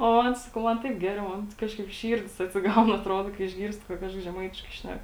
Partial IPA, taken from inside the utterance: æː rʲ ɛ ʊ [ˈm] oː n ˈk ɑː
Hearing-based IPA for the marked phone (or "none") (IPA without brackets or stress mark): m